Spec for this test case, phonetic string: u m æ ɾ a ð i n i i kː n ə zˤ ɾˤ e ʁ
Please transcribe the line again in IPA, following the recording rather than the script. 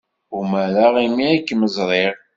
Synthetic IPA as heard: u m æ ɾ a ʁ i m i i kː m ə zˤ ɾˤ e ʁ